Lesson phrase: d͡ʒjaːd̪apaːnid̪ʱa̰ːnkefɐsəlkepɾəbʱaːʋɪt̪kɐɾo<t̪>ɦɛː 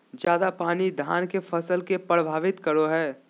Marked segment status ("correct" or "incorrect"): incorrect